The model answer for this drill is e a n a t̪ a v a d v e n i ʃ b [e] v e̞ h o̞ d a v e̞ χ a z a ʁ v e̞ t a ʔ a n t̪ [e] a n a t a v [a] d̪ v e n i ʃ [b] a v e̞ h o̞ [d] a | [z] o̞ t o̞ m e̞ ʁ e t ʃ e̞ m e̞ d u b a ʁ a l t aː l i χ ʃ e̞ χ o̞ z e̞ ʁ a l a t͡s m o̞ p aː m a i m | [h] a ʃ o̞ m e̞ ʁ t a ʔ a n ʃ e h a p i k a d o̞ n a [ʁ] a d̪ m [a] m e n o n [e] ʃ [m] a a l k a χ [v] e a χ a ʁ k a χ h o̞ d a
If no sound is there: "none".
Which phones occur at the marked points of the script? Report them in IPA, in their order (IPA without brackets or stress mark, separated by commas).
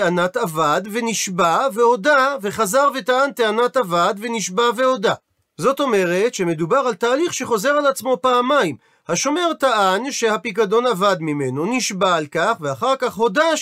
a, e, a, b, d, z, h, v, i, i, b, v